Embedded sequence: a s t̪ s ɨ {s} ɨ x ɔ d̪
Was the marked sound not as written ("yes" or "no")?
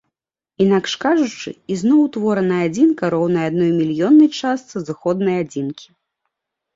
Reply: yes